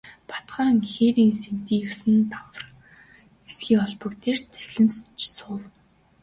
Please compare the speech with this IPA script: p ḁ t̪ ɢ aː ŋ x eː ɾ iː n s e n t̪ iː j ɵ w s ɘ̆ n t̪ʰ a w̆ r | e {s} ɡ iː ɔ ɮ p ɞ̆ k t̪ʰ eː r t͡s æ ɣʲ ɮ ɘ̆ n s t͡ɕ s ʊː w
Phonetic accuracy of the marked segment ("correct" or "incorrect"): correct